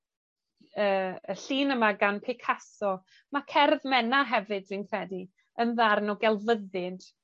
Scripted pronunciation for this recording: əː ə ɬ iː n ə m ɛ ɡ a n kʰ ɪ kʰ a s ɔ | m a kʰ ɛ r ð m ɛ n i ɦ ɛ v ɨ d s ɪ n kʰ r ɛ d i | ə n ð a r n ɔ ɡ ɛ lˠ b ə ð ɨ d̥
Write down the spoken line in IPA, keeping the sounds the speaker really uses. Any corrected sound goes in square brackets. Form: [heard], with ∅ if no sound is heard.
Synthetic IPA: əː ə ɬ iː n ə m [a] ɡ a n [pʰ] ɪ kʰ a s ɔ | m a kʰ ɛ r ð m ɛ n [a] ɦ ɛ v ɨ d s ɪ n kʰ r ɛ d i | ə n ð a r n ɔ ɡ ɛ lˠ [v] ə ð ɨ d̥